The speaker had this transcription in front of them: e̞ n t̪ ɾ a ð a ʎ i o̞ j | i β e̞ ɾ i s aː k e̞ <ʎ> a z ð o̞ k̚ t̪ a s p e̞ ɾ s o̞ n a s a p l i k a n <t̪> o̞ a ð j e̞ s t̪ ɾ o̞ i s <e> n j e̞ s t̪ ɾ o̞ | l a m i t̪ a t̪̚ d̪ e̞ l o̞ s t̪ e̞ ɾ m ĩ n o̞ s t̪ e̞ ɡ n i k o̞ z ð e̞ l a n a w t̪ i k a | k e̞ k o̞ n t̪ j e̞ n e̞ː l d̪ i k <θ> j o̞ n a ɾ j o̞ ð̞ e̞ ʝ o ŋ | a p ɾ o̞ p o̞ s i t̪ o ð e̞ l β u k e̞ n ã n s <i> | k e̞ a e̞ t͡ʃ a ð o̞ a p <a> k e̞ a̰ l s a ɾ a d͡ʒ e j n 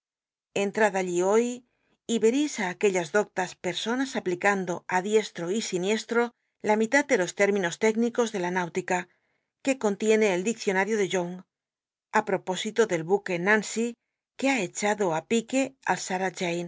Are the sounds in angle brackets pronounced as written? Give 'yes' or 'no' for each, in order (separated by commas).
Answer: yes, no, no, yes, yes, no